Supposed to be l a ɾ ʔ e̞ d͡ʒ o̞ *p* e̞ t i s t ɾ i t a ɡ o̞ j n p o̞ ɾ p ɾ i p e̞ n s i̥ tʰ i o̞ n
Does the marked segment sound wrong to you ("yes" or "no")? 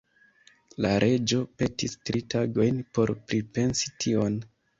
no